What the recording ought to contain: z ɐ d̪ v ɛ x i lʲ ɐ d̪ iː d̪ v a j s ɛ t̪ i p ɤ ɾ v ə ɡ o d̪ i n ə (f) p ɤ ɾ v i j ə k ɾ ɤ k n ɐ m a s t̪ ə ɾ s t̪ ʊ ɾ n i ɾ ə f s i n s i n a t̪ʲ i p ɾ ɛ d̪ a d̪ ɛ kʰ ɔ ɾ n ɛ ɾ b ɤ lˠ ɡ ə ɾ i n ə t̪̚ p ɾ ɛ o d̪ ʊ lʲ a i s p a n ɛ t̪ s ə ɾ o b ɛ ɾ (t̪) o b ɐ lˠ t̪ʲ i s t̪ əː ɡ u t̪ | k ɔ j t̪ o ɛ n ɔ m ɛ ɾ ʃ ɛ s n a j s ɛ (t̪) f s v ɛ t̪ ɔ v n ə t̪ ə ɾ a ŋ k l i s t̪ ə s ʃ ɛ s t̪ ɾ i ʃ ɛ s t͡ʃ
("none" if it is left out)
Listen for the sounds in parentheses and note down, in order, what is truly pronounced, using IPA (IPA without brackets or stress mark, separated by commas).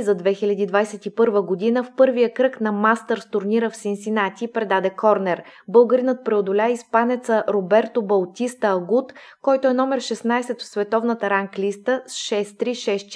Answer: f, t̪, t̪